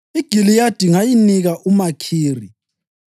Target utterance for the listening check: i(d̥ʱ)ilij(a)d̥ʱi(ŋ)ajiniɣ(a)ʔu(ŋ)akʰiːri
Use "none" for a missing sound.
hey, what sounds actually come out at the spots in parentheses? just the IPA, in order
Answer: ɡ̥ʱ, a, ŋ, a, m

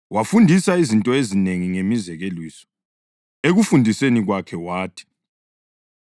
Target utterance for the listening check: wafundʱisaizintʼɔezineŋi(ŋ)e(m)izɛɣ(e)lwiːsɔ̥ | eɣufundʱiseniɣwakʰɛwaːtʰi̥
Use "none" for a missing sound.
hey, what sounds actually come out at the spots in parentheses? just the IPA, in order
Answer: ŋ, m, e

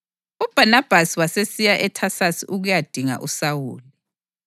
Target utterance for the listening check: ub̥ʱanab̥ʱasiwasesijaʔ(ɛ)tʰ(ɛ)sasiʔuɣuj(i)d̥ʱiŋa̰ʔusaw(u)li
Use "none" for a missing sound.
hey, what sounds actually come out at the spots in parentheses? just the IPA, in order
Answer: ɛ, a, a, uː

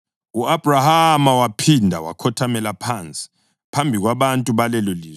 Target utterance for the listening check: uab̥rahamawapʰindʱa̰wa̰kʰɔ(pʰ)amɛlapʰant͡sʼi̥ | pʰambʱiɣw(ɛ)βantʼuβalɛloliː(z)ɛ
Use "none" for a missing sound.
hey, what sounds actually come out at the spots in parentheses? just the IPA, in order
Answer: tʰ, a, z

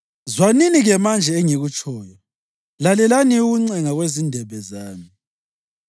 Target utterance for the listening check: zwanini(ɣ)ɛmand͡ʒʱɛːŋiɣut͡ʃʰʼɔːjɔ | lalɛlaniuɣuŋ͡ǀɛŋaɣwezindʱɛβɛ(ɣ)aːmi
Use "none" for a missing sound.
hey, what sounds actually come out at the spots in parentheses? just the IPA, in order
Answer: ɣ, z

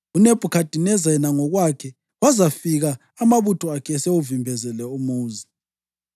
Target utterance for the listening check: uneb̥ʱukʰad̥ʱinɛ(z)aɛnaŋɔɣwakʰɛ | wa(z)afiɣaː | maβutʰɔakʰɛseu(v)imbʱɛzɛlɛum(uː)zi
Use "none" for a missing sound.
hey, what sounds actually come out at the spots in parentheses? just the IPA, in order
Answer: z, z, v, uː

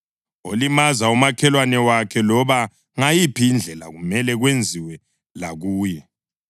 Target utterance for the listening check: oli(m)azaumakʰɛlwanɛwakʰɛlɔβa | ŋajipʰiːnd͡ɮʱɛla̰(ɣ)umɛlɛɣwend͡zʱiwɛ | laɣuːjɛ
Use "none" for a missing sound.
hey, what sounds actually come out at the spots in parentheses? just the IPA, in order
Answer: m, ɣ

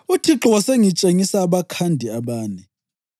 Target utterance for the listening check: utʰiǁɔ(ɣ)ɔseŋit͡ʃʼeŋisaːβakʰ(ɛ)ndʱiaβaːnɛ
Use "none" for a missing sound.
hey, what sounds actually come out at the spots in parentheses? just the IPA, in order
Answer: w, a

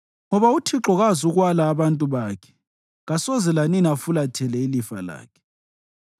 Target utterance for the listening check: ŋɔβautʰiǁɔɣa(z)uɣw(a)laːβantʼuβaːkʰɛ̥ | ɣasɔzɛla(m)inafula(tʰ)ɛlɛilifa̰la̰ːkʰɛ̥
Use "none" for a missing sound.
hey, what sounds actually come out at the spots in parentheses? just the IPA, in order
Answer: z, a, n, tʰ

